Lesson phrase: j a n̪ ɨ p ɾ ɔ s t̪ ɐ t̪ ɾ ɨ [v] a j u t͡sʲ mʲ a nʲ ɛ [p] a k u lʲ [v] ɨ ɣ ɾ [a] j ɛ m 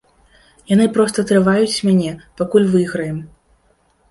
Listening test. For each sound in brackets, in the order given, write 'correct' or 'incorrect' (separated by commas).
correct, correct, correct, incorrect